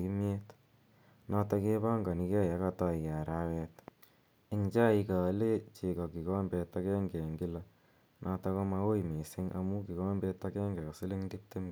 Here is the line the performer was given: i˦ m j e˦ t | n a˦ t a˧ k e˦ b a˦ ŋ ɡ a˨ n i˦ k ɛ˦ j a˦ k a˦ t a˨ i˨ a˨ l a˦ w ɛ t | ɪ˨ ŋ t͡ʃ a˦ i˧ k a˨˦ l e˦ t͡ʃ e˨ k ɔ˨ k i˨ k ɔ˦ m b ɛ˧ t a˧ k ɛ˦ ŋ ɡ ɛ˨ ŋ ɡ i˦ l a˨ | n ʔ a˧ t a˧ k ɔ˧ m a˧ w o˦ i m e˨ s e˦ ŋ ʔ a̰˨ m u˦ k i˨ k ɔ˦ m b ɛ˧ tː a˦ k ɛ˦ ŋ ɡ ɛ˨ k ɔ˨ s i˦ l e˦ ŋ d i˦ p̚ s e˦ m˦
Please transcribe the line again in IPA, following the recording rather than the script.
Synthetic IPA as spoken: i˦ m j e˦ t | n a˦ t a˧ k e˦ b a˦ ŋ ɡ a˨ n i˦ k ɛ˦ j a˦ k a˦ t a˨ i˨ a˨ ɾ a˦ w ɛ t | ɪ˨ ŋ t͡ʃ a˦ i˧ k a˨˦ l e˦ t͡ʃ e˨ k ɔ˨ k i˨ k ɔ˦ m b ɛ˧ t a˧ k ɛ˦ ŋ ɡ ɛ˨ ŋ ɡ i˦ l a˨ | n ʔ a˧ t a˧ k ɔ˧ m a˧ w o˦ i m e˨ s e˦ ŋ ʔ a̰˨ m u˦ k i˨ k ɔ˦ m b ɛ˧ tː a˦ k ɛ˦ ŋ ɡ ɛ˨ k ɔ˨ s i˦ l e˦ ŋ d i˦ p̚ t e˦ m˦